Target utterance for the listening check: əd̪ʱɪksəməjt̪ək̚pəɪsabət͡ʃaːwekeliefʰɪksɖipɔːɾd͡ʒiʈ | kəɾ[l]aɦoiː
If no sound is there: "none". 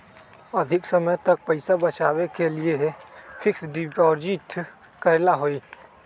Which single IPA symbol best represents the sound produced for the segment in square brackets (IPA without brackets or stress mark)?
l